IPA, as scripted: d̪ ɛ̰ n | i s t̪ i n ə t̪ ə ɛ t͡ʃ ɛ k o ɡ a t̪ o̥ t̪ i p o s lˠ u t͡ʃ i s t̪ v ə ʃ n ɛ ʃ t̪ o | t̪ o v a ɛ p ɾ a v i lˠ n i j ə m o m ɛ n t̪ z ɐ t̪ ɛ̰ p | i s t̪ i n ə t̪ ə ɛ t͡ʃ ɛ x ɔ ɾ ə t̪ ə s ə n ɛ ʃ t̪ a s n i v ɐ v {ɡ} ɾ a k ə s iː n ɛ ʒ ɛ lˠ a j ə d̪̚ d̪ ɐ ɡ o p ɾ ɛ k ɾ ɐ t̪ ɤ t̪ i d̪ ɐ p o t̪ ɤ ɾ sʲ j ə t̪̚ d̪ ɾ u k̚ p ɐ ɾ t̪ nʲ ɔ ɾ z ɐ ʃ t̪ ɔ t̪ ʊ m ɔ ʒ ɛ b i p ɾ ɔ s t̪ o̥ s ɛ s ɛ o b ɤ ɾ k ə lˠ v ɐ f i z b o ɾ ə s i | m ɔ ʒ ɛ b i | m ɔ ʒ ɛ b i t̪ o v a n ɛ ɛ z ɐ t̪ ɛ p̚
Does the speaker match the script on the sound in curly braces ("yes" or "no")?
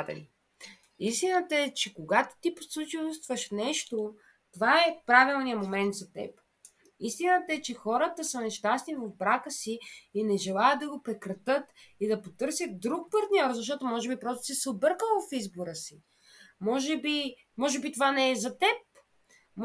no